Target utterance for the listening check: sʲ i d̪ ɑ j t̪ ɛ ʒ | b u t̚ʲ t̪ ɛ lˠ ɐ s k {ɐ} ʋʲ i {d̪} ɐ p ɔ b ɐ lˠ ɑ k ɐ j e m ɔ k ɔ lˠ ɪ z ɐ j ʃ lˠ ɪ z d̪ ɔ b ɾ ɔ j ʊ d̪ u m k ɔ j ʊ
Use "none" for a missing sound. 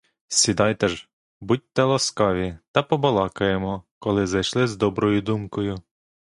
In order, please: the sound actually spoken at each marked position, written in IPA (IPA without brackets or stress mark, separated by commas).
ɑ, t̪